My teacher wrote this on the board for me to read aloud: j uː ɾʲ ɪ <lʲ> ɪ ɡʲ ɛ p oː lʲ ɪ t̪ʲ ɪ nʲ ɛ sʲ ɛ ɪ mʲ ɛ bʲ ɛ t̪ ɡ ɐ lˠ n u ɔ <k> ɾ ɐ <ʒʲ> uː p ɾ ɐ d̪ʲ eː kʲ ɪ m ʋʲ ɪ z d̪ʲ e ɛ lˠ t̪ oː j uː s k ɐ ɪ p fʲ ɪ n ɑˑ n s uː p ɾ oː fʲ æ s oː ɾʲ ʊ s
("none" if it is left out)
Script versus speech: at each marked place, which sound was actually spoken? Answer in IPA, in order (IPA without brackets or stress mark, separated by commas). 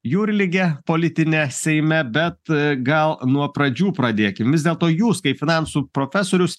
lʲ, p, d͡ʒʲ